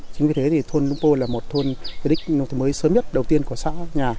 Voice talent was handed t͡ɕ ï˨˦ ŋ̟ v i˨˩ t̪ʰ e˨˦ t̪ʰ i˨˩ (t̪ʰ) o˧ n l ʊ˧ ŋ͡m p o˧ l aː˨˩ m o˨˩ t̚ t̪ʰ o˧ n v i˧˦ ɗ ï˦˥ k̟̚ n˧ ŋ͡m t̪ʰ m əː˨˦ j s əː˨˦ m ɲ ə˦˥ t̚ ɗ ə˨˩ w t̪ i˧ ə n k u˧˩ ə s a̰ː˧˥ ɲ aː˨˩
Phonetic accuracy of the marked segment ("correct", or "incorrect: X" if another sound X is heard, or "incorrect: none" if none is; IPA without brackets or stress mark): correct